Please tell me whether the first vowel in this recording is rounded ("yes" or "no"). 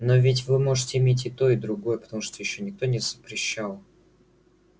yes